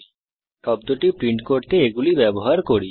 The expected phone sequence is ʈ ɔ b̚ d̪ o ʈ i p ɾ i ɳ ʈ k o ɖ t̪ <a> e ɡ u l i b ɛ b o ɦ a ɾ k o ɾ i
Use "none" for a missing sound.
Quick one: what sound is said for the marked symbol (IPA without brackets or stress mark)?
e